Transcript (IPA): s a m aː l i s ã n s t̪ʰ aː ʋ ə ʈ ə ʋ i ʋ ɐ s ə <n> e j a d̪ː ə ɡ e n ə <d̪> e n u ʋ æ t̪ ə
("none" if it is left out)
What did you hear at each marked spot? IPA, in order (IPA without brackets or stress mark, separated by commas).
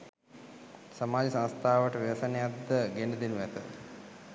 n, d̪